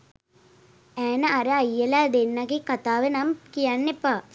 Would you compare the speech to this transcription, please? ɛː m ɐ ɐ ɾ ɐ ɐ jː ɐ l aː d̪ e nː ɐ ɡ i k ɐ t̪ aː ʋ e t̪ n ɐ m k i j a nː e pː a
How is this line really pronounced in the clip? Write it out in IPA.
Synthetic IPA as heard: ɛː n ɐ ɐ ɾ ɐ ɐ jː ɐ l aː d̪ e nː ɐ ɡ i k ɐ t̪ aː ʋ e n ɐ m k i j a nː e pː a